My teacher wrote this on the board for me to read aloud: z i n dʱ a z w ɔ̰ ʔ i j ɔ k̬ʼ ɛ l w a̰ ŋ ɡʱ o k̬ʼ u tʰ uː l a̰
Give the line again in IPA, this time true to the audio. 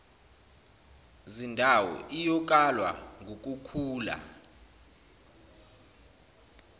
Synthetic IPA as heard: z i n dʱ a w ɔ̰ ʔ i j ɔ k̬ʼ a l w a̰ ŋ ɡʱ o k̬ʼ u kʰ uː l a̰